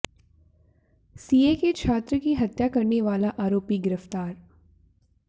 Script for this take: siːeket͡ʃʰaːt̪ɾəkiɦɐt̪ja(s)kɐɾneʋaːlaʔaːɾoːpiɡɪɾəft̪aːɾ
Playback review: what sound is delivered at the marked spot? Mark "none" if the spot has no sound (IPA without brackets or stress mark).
none